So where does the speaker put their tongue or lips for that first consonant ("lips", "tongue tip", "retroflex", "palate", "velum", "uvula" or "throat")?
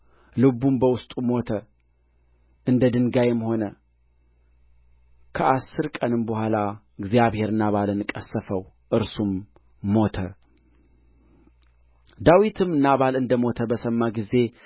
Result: tongue tip